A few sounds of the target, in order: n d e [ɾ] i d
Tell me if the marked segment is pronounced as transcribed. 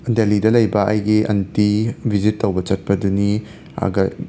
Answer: no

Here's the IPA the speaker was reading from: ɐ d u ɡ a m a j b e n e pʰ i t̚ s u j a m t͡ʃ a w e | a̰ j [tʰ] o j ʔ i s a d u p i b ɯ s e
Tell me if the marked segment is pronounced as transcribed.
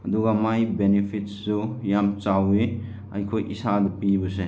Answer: no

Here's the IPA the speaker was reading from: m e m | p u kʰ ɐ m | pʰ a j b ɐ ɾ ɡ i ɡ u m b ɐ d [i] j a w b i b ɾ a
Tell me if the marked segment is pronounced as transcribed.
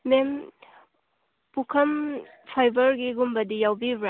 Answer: yes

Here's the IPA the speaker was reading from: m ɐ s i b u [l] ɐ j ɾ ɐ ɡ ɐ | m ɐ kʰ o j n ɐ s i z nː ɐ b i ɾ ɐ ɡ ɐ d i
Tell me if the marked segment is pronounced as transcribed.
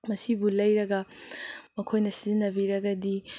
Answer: yes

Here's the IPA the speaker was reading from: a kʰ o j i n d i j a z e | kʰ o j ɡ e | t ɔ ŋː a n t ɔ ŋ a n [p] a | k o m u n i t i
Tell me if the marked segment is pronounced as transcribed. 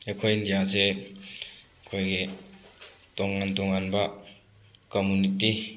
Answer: no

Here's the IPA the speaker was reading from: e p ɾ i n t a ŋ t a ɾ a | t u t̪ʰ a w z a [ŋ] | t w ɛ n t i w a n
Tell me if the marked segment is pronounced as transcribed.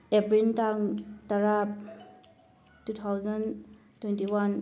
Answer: no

